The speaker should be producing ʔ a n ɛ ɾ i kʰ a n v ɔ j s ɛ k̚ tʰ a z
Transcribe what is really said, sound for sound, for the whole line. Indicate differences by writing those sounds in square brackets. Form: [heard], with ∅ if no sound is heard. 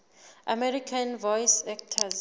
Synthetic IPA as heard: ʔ a [m] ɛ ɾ i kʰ a n v ɔ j s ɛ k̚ tʰ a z